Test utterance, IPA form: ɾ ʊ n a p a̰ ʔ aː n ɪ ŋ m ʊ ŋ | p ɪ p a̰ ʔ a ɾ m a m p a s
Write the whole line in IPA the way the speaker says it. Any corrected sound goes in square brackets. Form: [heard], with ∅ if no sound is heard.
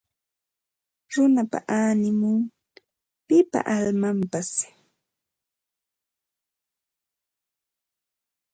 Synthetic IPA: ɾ ʊ n a p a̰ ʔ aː n ɪ [∅] m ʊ ŋ | p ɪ p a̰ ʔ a [l] m a m p a s